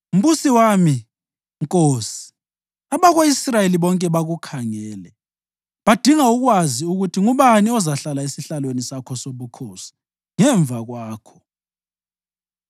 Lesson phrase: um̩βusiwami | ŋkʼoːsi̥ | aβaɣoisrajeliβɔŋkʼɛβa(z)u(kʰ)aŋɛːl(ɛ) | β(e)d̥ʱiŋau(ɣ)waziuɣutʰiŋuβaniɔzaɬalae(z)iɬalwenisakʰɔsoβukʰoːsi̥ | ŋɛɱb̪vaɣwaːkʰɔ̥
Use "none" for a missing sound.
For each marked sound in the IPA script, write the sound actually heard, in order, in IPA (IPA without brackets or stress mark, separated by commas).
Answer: ɣ, kʰ, ɛ, a, ɣ, s